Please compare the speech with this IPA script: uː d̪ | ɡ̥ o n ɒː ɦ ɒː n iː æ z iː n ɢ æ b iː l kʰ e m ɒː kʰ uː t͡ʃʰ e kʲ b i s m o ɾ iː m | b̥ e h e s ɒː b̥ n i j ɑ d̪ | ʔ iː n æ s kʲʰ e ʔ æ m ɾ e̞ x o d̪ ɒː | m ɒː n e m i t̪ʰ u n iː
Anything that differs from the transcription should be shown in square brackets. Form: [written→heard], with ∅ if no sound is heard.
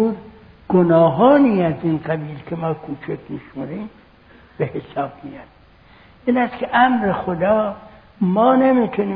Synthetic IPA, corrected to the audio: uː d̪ | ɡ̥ o n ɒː ɦ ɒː n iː æ z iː n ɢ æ b iː l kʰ e m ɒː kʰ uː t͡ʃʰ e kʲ [b→m] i [s→ʃ] m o ɾ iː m | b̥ e h e s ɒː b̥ [n→m] i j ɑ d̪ | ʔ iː n æ s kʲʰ e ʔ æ m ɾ e̞ x o d̪ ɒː | m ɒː n e m i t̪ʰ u n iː